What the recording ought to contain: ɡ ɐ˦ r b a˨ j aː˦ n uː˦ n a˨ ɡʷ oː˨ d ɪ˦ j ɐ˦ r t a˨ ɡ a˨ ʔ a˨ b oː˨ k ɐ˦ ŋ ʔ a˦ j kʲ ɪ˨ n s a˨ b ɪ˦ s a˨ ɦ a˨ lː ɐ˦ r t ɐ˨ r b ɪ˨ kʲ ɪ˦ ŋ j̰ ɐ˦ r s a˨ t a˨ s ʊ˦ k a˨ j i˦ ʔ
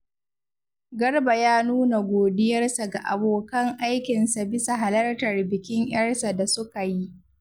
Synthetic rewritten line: ɡ ɐ˦ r b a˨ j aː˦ n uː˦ n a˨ ɡʷ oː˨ d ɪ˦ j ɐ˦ r s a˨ ɡ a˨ ʔ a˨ b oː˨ k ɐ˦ ŋ ʔ a˦ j kʲ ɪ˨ n s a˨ b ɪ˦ s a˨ ɦ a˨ l ɐ˦ r t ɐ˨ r b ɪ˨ kʲ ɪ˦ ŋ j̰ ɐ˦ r s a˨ d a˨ s ʊ˦ k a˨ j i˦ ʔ

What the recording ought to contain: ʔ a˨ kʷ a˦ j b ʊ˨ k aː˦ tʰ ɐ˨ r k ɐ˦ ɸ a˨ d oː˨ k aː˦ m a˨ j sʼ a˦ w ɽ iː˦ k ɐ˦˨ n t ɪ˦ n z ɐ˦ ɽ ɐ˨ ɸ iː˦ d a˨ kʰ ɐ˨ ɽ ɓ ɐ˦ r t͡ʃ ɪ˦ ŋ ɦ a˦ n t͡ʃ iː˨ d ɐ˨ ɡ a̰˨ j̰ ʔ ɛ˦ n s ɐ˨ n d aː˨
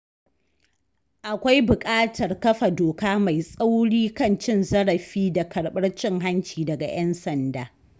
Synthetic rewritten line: ʔ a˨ kʷ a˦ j b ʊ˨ kʼ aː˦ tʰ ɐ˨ r k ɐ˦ ɸ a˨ d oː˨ k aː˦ m a˨ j sʼ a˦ w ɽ iː˦ k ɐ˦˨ n t͡ʃ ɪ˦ n z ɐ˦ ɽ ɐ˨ ɸ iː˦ d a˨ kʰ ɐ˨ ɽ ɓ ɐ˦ r t͡ʃ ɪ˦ ŋ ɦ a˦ n t͡ʃ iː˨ d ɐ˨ ɡ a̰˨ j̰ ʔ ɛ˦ n s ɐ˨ n d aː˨

